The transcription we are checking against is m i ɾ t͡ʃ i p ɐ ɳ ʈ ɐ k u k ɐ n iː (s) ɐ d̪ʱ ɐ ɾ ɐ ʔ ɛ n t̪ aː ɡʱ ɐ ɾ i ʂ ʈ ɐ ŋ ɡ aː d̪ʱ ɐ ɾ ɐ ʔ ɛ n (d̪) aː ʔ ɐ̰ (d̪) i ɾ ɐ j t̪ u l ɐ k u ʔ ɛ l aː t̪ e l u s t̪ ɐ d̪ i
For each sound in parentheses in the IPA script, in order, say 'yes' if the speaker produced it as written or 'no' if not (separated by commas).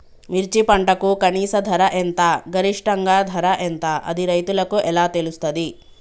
yes, no, yes